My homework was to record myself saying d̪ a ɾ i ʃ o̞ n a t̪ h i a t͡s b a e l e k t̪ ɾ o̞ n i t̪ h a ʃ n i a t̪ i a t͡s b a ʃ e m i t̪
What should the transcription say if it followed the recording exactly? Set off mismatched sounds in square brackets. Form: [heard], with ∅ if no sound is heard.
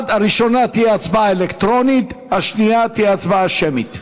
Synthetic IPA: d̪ a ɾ i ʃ o̞ n a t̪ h i a t͡s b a e l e k t̪ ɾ o̞ n i t̪ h a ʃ n i a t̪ i a t͡s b a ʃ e m i t̪

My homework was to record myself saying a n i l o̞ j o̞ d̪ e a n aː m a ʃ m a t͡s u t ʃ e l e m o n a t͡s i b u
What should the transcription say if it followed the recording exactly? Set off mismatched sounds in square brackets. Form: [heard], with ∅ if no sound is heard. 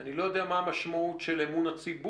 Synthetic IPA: a n i l o̞ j o̞ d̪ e a [m] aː m a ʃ m a [∅] u t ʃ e l e m [u] n a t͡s i b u

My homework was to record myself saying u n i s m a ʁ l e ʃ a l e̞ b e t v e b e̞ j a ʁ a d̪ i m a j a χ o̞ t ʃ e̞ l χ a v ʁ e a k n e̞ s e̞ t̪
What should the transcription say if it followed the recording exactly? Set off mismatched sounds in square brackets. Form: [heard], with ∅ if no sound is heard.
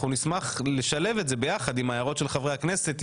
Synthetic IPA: u n i s m a [χ] l e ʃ a l e̞ [v] e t [z] e b e̞ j a [χ] a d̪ i m a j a [ʁ] o̞ t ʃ e̞ l χ a v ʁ e a k n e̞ s e̞ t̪

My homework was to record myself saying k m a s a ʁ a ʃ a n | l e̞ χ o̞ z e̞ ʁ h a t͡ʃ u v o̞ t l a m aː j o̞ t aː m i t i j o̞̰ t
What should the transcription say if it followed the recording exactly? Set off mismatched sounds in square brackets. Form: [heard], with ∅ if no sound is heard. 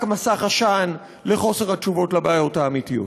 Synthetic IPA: k m a s a [χ] a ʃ a n | l e̞ χ o̞ [s] e̞ ʁ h a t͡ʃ u v o̞ t l a [b] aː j o̞ t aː m i t i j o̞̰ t

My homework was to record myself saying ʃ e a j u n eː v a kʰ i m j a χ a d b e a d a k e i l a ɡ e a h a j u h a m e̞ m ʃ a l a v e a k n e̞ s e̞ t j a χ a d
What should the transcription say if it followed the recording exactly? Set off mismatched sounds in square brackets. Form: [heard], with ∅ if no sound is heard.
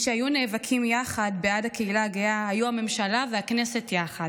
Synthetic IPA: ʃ e a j u n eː v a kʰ i m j a χ a d b e a d a k e i l a ɡ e a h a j u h a m e̞ m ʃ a l a v e a k n e̞ s e̞ t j a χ a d

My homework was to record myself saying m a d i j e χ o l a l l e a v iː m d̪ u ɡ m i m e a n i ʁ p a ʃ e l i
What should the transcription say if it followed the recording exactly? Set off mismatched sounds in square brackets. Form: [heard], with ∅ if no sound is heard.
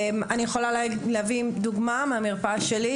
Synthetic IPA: m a [n] i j e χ o l a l l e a v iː m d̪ u ɡ m [a] m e a [m] i ʁ p a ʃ e l i

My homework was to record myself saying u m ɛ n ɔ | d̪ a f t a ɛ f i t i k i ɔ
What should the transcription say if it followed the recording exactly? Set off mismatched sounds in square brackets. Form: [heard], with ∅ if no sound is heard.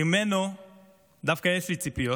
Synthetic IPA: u m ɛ n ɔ | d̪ a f [k] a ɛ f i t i [p] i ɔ

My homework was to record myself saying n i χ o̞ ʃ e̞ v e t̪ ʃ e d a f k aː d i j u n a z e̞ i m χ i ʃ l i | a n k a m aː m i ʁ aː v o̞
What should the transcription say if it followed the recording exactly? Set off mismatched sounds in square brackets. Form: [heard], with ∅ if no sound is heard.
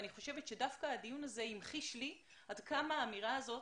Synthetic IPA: n i χ o̞ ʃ e̞ v e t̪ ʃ e d a f k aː d i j u n a z e̞ i m χ i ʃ l i | a [d] k a m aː m i ʁ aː [z] o̞

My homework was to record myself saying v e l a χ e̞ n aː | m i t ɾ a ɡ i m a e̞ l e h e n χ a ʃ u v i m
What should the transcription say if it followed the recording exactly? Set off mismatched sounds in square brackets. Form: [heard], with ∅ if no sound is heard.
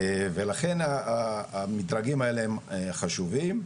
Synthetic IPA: v e l a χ e̞ n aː | m i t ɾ a ɡ i m a e̞ l e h e [m] χ a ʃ u v i m

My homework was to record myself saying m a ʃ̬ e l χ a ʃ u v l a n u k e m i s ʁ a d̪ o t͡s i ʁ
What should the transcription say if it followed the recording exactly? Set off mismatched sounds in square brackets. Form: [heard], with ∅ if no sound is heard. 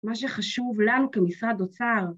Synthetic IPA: m a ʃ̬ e [∅] χ a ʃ u v l a n u k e m i s ʁ a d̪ o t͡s [a] ʁ

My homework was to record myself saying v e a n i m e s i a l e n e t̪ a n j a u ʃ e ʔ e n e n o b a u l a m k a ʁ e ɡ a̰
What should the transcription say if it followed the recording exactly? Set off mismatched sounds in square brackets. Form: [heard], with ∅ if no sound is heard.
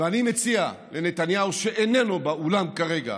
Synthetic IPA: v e a n i m e [t͡s] i a l e n e t̪ a n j a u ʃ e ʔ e n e n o b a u l a m k a ʁ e ɡ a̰

